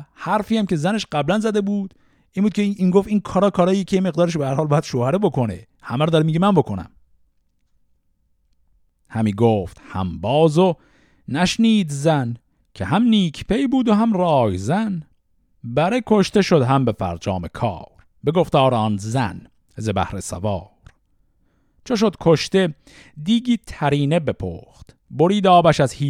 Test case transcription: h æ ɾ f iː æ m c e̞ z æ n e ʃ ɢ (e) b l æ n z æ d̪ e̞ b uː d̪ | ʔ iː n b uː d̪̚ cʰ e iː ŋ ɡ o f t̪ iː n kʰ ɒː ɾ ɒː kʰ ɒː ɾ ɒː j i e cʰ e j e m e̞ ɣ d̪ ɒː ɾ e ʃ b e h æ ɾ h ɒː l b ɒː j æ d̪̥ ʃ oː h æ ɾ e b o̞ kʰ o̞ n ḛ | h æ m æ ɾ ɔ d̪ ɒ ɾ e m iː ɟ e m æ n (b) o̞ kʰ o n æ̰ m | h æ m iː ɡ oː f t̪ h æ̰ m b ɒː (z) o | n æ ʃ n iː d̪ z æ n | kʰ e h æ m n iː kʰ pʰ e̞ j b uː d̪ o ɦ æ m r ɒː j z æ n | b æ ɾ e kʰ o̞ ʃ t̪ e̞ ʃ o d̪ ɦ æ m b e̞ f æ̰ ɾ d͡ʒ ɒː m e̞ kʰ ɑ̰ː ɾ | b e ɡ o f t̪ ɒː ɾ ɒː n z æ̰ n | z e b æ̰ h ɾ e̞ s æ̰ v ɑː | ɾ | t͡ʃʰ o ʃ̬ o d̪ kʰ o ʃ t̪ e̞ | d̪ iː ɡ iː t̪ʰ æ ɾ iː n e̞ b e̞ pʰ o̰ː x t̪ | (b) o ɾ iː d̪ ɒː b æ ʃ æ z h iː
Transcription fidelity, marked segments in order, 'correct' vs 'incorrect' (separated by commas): incorrect, correct, correct, correct